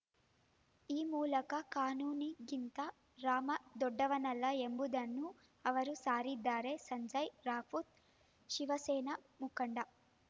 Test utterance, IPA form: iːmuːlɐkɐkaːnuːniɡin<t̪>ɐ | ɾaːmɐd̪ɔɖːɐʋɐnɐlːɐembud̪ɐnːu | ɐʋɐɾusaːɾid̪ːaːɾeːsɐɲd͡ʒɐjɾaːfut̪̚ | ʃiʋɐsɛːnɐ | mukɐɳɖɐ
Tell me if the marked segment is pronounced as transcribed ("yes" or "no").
yes